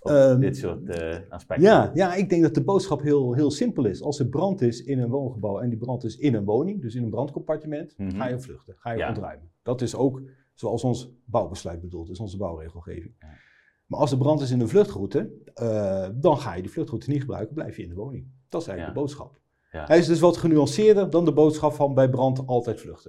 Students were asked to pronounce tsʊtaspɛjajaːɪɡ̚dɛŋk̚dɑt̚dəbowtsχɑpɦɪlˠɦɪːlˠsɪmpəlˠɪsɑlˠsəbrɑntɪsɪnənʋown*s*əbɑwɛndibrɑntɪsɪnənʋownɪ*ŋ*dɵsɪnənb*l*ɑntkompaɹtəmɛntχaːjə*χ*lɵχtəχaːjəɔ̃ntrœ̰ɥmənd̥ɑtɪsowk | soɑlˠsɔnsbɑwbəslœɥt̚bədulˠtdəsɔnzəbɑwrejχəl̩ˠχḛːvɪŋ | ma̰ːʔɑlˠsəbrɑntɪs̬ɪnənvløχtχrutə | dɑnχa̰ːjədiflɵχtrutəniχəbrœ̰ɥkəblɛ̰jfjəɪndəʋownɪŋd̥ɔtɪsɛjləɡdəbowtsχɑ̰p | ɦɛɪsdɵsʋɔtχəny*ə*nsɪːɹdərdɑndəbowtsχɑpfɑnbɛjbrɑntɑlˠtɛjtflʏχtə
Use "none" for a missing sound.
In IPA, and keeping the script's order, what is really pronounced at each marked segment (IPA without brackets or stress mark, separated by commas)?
χ, ŋ, r, f, ɑ